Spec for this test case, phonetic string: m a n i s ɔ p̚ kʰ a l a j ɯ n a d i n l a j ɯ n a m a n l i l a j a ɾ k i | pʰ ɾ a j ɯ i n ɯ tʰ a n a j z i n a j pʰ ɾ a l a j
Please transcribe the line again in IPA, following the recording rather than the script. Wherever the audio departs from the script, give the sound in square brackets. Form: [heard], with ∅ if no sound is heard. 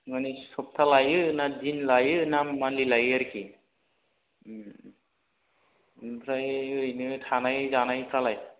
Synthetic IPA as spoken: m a n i s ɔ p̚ [tʰ] a l a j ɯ n a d i n l a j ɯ n a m a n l i l a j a ɾ k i | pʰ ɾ a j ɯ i n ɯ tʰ a n a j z [a] n a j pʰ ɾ a l a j

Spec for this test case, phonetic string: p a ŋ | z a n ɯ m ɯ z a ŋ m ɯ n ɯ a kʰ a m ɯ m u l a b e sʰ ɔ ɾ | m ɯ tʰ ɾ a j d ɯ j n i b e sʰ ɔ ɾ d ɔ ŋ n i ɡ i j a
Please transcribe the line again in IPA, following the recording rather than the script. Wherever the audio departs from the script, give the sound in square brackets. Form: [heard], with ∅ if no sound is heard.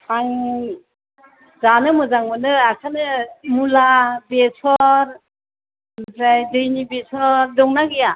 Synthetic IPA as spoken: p a ŋ | z a n ɯ m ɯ z a ŋ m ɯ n ɯ a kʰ a [n] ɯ m u l a b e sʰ ɔ ɾ | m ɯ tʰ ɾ a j d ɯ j n i b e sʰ ɔ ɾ d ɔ ŋ n [a] ɡ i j a

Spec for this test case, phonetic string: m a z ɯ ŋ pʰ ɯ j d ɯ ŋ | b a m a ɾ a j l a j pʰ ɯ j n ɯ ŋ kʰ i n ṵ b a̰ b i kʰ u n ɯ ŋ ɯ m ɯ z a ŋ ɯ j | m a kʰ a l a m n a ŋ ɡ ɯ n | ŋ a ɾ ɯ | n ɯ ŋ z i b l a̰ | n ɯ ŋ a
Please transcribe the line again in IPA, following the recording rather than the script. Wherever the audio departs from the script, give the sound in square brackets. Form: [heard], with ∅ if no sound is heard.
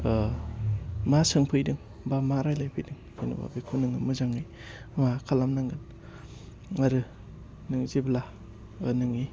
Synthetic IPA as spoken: m a [s] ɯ ŋ pʰ ɯ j d ɯ ŋ | b a m a ɾ a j l a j pʰ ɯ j [d] ɯ ŋ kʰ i n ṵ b a̰ b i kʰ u n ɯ ŋ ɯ m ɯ z a ŋ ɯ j | m a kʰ a l a m n a ŋ ɡ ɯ n | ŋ a ɾ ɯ | n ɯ ŋ z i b l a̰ | n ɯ ŋ [i]

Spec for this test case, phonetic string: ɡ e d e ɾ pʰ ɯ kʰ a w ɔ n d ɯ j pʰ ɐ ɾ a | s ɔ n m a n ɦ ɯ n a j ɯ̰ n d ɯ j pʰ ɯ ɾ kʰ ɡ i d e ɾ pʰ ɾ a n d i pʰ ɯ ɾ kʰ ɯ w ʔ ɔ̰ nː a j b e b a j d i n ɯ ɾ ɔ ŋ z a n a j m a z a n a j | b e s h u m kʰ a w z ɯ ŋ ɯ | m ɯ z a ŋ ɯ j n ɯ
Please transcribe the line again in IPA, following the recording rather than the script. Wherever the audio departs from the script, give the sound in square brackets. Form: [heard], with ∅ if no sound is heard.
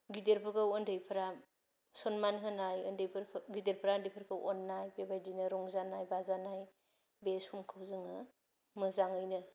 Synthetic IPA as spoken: ɡ [i] d e ɾ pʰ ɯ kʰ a w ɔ n d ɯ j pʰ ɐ ɾ a | s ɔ n m a n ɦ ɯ n a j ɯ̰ n d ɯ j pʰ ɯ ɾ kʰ ɡ i d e ɾ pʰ ɾ a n d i pʰ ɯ ɾ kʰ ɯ w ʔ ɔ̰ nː a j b e b a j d i n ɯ ɾ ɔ ŋ z a n a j [b] a z a n a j | b e s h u m kʰ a w z ɯ ŋ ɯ | m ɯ z a ŋ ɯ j n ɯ

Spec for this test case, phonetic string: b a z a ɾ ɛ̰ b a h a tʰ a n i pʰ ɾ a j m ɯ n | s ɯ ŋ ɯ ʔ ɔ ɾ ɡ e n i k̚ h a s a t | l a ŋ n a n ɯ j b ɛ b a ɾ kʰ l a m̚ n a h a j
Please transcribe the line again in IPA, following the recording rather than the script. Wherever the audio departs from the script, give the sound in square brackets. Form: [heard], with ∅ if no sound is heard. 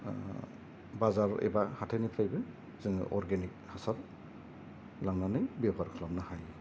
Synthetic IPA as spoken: b a z a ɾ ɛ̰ b a h a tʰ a n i pʰ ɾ a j [b] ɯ n | [z] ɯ ŋ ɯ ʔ ɔ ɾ ɡ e n i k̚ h a s a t | l a ŋ n a n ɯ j b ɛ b a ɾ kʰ l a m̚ n a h a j

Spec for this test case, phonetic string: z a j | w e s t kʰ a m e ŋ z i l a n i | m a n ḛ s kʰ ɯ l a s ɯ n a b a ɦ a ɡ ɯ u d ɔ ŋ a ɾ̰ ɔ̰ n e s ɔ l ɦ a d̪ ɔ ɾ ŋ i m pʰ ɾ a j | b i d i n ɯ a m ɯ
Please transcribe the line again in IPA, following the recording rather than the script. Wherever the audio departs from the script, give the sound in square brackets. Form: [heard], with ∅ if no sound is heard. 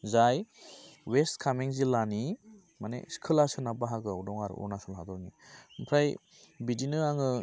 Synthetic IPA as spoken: z a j | w e s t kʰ a m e ŋ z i l a n i | m a n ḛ s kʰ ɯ l a s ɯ n a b a ɦ a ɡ ɯ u d ɔ ŋ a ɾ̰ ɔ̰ n [a] s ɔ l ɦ a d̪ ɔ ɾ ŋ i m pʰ ɾ a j | b i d i n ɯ a [ŋ] ɯ

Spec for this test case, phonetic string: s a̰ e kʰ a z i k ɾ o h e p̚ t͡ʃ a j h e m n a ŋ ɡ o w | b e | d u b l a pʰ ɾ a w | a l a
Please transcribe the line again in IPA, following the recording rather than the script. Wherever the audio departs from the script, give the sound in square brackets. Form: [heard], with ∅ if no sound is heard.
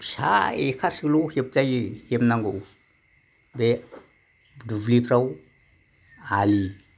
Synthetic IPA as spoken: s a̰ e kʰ a [s] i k [l] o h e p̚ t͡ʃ a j h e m n a ŋ ɡ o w | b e | d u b l [i] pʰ ɾ a w | a l [i]

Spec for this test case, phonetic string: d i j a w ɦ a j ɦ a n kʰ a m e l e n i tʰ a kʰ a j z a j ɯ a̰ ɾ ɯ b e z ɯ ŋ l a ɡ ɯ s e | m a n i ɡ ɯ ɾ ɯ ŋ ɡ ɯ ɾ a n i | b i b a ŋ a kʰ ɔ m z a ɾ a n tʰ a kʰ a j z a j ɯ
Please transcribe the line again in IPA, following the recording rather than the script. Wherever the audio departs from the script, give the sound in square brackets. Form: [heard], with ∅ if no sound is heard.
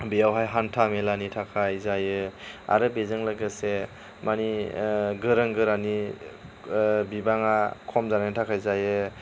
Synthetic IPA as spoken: [b] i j a w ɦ a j ɦ a n [tʰ] a m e l [a] n i tʰ a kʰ a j z a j ɯ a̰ ɾ ɯ b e z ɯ ŋ l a ɡ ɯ s e | m a n i ɡ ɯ ɾ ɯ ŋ ɡ ɯ ɾ a n i | b i b a ŋ a kʰ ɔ m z a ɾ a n tʰ a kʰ a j z a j ɯ

